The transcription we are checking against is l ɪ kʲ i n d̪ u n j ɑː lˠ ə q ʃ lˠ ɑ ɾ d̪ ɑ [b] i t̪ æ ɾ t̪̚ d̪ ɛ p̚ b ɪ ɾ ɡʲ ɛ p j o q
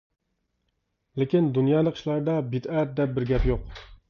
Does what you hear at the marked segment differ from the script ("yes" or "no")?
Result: no